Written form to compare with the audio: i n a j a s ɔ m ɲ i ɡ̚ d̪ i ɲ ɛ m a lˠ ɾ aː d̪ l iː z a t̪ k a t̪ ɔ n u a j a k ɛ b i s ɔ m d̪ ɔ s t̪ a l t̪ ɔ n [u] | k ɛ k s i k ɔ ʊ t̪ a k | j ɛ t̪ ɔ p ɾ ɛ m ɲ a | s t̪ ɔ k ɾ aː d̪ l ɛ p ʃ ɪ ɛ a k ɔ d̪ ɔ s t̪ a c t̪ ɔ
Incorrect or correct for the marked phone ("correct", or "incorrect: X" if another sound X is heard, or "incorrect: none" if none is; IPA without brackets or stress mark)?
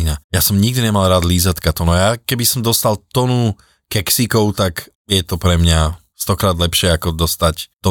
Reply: correct